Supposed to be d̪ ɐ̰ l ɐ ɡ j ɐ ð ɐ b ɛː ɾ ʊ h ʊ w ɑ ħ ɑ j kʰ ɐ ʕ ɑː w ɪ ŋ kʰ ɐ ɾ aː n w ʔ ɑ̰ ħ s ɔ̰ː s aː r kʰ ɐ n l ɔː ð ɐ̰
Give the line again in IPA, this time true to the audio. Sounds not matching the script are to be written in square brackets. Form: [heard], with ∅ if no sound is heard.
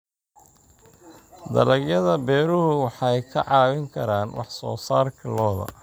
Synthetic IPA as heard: d̪ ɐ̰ l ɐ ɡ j ɐ ð ɐ b ɛː ɾ ʊ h ʊ w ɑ ħ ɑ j kʰ ɐ ʕ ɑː w ɪ ŋ kʰ ɐ ɾ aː n w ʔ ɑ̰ ħ s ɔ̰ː s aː r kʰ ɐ [∅] l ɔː ð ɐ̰